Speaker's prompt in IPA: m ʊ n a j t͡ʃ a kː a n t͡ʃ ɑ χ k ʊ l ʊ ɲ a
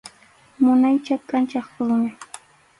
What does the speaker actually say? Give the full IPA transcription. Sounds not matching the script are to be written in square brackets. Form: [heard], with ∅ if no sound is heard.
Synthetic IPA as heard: m ʊ n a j t͡ʃ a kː a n t͡ʃ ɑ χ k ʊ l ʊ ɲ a